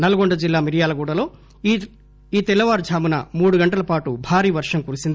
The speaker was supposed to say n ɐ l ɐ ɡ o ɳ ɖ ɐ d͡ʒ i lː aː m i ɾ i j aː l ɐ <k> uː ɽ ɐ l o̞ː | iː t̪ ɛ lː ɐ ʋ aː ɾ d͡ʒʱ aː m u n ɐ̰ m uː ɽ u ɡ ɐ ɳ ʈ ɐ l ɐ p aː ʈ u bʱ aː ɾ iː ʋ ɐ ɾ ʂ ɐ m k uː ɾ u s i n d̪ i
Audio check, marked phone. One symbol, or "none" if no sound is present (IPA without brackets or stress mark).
ɡ